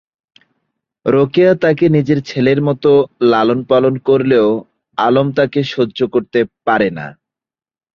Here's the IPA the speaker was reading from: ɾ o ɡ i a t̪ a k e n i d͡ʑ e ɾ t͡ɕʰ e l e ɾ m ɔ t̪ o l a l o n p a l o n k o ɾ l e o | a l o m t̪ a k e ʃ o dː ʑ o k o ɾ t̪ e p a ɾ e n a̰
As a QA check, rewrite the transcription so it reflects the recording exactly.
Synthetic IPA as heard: ɾ o k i a t̪ a k e n i d͡ʑ e ɾ t͡ɕʰ e l e ɾ m ɔ t̪ o l a l o n p a l o n k o ɾ l e o | a l o m t̪ a k e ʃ o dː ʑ o k o ɾ t̪ e p a ɾ e n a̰